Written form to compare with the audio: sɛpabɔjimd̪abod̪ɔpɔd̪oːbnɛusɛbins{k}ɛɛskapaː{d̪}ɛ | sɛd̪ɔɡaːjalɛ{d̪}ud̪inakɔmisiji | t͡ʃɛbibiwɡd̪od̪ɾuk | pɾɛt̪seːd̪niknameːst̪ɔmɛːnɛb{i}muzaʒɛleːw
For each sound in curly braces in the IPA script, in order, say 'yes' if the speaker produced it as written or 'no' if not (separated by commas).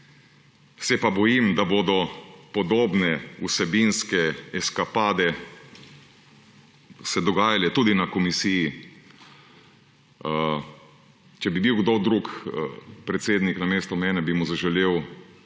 yes, yes, no, yes